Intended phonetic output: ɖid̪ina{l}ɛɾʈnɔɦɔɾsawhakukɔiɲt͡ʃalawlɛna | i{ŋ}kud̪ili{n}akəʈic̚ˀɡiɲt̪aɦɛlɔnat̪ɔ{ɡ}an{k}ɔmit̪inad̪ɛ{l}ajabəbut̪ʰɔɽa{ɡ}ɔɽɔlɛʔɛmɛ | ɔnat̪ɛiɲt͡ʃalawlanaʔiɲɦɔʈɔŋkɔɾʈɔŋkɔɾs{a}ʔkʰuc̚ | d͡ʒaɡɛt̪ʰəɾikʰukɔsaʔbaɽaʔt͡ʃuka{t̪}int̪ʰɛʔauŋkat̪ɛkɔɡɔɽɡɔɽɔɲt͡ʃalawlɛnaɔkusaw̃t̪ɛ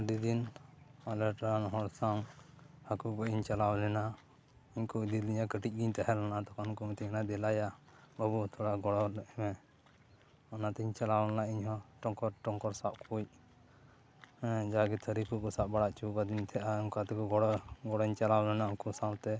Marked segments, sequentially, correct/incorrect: correct, incorrect: ɲ, incorrect: ɲ, incorrect: k, correct, correct, correct, correct, incorrect: d̪

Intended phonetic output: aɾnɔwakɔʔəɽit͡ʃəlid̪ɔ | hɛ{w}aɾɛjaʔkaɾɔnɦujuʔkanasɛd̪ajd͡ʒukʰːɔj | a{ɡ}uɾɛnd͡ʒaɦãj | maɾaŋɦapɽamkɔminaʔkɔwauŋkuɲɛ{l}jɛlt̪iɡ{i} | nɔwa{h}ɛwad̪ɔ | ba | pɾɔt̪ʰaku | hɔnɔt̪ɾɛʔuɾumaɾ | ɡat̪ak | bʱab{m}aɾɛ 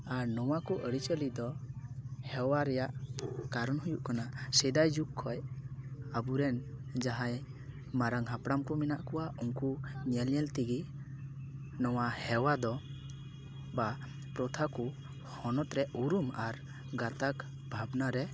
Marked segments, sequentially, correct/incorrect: correct, incorrect: b, correct, correct, correct, incorrect: n

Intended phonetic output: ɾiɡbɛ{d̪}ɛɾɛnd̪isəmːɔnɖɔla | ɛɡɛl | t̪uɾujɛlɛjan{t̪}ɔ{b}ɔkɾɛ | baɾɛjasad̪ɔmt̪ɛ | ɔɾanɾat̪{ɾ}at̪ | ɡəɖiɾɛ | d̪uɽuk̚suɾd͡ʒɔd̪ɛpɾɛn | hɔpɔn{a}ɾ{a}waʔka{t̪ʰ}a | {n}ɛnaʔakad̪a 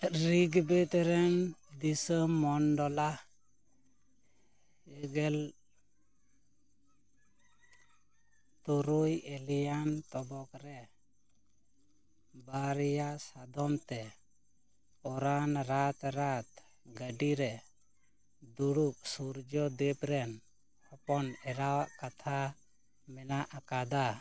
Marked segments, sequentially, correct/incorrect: incorrect: t̪, correct, correct, correct, incorrect: ɛ, correct, correct, incorrect: m

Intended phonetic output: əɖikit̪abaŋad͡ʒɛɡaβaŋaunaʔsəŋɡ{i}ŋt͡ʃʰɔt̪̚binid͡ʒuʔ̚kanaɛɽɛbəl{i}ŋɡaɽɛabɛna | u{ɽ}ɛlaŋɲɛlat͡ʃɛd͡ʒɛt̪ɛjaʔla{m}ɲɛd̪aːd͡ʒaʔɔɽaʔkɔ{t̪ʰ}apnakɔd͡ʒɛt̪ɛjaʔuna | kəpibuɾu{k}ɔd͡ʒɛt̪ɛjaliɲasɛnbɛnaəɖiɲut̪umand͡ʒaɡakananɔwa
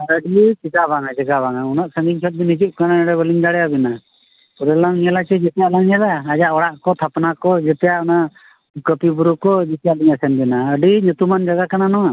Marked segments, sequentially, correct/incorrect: correct, correct, incorrect: ɾ, incorrect: ŋ, correct, correct

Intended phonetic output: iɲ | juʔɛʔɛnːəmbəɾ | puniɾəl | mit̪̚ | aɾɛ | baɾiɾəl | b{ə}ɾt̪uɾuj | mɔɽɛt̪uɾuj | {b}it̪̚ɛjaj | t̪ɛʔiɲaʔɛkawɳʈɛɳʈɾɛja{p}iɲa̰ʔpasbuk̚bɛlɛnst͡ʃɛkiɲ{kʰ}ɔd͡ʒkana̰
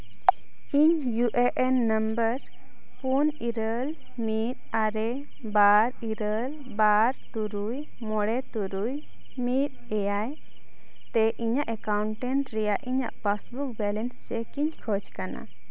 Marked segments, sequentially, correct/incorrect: incorrect: a, incorrect: m, incorrect: ʔ, correct

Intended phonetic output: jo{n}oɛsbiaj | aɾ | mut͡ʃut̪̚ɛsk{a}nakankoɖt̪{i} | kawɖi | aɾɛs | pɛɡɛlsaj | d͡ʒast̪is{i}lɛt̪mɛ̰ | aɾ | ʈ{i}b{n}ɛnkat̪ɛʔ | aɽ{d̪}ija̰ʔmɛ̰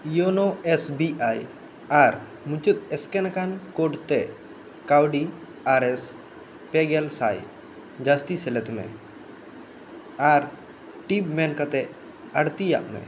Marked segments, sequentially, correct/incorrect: correct, incorrect: ɛ, incorrect: ɛ, incorrect: ɛ, correct, incorrect: m, incorrect: t̪

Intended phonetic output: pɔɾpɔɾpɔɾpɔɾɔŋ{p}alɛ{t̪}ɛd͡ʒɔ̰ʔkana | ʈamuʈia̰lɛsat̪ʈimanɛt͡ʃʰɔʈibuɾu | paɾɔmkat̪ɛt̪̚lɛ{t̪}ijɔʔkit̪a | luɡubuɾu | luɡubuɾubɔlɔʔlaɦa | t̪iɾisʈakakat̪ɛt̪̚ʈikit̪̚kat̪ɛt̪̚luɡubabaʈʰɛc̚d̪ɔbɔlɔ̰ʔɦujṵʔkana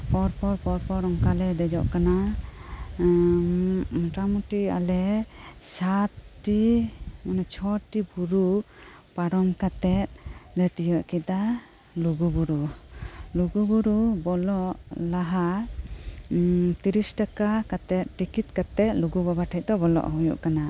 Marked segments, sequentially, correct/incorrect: incorrect: k, incorrect: d̪, correct

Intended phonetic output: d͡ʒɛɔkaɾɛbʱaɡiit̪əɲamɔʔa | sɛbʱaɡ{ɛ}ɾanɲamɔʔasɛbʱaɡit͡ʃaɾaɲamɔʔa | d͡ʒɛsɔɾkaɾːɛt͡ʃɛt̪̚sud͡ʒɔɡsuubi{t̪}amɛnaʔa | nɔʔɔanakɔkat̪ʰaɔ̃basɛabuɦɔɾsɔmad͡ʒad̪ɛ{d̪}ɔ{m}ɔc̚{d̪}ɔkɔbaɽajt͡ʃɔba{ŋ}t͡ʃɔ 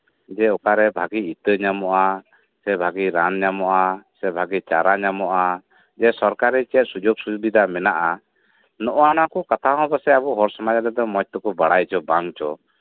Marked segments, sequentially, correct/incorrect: incorrect: i, incorrect: d̪, correct, correct, incorrect: t̪, correct

